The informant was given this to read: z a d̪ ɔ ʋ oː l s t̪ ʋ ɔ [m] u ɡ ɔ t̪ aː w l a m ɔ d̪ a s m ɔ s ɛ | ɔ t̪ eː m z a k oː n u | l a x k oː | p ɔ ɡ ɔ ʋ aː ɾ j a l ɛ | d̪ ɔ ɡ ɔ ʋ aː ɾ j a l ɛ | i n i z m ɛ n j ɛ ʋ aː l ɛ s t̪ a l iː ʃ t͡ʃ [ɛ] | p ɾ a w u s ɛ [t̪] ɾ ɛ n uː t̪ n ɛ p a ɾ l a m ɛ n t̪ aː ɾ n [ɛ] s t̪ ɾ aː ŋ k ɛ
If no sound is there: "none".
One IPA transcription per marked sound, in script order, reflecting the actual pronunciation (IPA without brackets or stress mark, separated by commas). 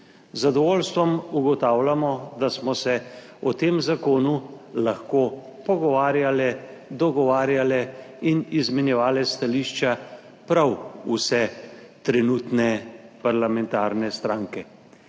m, a, t̪, ɛ